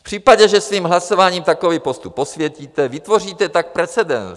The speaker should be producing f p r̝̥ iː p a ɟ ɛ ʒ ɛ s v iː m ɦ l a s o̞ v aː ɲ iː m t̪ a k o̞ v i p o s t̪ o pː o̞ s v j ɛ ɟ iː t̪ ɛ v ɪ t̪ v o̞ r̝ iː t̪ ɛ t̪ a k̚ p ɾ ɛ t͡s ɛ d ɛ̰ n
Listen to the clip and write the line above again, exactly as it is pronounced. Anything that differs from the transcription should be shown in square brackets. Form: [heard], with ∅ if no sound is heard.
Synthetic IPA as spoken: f p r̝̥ iː p a ɟ ɛ ʒ ɛ s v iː m ɦ l a s o̞ v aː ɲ iː m t̪ a k o̞ v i p o s t̪ [u] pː o̞ s v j ɛ [c] iː t̪ ɛ v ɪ t̪ v o̞ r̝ iː t̪ ɛ t̪ a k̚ p ɾ ɛ t͡s ɛ d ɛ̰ n